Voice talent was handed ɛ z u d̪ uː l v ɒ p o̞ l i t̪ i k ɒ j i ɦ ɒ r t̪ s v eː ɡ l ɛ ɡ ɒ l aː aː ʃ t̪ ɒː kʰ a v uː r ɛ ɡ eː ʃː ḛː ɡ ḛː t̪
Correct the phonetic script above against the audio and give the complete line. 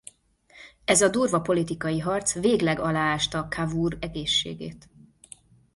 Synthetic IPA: ɛ z ɒ d̪ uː r v ɒ p o̞ l i t̪ i k ɒ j i ɦ ɒ r t̪ s v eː ɡ l ɛ ɡ ɒ l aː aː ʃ t̪ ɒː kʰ a v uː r ɛ ɡ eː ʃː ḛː ɡ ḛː t̪